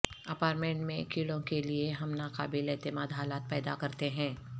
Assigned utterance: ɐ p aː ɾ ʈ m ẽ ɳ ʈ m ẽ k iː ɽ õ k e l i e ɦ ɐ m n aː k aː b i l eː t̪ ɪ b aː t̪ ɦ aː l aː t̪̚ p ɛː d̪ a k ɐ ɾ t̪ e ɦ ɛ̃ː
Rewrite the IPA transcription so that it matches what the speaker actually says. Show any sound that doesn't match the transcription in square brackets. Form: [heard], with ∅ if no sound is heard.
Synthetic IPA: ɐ p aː ɾ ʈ m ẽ ɳ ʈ m ẽ k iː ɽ õ k e l i e ɦ ɐ m n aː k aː b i l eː t̪ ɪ [m] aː [d̪] ɦ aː l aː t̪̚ p ɛː d̪ a k ɐ ɾ t̪ e ɦ ɛ̃ː